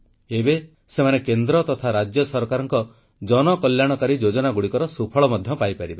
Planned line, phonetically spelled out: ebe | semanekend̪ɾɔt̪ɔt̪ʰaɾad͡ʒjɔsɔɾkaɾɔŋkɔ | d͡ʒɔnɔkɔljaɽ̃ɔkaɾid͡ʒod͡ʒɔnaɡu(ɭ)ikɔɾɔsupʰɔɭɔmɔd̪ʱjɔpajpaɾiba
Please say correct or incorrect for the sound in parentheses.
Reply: incorrect: ɽ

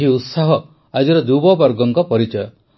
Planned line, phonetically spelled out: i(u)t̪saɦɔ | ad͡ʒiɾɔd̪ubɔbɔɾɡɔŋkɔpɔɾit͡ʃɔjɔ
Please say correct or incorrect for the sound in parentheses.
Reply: correct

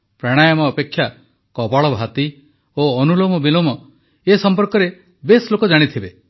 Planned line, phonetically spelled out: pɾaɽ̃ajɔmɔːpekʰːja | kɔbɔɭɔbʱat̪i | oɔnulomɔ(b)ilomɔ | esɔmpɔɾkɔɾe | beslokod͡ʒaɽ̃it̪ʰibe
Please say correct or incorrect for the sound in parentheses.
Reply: correct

